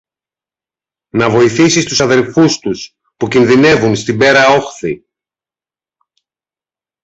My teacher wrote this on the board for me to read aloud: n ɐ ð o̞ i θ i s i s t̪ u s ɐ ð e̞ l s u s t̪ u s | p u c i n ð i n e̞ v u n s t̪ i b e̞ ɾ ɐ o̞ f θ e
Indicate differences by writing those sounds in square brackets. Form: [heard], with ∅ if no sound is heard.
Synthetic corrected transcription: n ɐ [v] o̞ i θ i s i s t̪ u s ɐ ð e̞ l [f] u s t̪ u s | p u c i n ð i n e̞ v u n s t̪ i b e̞ ɾ ɐ o̞ [x] θ [i]